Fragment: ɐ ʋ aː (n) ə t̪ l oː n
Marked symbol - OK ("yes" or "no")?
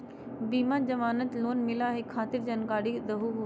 yes